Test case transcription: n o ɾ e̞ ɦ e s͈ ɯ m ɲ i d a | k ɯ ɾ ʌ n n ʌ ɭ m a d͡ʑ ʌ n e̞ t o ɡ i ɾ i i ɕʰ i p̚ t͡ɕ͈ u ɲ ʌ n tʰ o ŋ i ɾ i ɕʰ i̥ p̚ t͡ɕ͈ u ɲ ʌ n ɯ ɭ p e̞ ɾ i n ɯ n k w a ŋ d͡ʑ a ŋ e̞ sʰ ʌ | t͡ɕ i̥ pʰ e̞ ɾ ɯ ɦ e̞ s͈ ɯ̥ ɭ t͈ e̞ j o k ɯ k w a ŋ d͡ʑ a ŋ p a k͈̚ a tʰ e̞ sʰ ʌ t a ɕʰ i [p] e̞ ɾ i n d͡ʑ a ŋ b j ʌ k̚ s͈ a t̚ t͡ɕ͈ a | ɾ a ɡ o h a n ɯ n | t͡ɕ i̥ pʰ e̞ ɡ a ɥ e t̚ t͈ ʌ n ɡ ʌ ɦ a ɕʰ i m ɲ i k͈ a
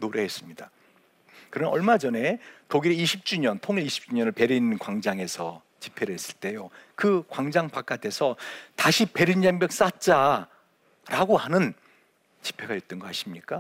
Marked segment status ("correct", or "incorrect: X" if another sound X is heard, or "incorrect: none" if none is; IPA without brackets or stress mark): correct